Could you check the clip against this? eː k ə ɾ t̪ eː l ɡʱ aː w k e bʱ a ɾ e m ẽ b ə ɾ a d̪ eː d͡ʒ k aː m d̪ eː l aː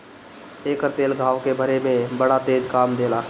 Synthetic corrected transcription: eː k ə ɾ t̪ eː l ɡʱ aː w k e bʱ ə ɾ e m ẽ b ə ɽ a t̪ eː d͡ʒ k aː m d̪ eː l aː